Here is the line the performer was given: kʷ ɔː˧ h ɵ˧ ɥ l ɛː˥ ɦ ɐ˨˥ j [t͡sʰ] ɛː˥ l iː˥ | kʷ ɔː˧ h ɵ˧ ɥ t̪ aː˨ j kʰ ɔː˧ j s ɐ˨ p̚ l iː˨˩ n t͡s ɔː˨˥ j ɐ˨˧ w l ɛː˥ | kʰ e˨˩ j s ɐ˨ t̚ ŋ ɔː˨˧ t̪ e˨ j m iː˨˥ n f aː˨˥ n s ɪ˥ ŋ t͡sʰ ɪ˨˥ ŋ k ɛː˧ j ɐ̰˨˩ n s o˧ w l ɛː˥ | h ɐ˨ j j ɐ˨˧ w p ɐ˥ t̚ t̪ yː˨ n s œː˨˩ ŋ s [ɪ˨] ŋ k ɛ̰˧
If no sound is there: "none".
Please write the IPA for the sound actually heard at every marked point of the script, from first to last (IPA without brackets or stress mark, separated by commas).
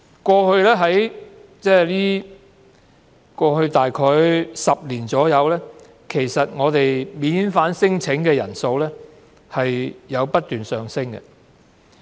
t͡s, ɪ˥